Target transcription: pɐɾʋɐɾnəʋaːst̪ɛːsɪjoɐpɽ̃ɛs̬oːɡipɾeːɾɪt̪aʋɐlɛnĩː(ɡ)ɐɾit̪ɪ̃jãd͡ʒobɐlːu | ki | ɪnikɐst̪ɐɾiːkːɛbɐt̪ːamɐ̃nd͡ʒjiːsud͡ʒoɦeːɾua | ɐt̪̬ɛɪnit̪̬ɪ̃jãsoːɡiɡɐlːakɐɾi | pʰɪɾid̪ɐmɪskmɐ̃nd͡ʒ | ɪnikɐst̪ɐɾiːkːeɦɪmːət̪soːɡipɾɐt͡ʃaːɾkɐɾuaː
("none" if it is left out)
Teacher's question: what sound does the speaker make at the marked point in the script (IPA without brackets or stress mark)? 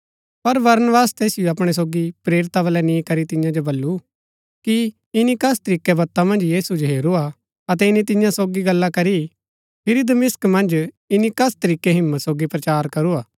k